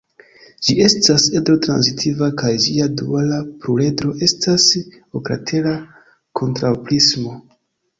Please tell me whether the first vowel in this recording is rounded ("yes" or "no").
no